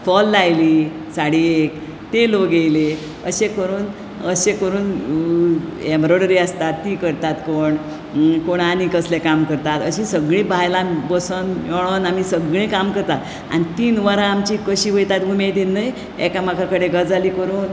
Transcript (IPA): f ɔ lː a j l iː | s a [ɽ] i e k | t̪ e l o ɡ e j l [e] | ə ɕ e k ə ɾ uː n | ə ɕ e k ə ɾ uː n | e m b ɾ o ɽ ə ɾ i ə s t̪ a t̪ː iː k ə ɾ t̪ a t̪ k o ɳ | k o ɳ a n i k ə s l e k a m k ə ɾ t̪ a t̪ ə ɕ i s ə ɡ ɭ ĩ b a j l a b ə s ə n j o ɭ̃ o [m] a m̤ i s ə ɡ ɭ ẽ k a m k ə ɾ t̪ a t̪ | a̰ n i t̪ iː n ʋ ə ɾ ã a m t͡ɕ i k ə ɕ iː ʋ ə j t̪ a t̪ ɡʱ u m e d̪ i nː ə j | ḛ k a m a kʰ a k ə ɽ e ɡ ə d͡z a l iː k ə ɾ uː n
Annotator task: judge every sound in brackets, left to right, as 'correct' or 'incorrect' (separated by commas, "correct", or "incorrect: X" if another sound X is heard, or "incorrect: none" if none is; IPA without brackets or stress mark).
correct, correct, incorrect: n